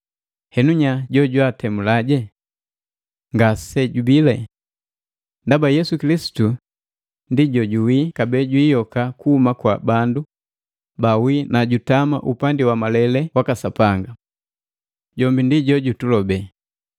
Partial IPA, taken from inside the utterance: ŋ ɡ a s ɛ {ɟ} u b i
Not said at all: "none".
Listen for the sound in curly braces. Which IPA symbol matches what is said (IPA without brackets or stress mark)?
ɟ